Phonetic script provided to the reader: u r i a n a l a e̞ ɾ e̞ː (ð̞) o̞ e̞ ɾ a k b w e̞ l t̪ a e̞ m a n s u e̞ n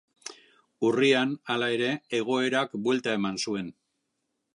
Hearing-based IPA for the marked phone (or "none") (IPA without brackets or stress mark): ɣ̞